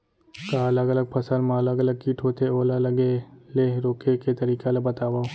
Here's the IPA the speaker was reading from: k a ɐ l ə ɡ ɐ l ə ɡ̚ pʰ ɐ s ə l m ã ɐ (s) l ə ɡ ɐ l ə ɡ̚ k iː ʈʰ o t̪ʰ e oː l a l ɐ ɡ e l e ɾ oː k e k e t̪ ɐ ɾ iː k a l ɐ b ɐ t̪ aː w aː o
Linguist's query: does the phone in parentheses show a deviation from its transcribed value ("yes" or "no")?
yes